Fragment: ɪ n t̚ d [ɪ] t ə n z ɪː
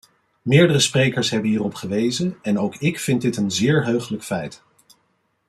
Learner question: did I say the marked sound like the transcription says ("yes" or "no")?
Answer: yes